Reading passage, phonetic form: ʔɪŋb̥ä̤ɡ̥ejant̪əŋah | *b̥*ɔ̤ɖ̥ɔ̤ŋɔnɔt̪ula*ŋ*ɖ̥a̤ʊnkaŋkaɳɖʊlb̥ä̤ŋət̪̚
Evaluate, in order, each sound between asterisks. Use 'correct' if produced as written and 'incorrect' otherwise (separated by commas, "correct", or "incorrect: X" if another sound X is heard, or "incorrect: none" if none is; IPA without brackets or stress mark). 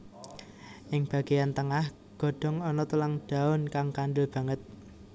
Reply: incorrect: ɡ̥, correct